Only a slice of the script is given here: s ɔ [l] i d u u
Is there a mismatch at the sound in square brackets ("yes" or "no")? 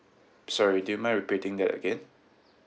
yes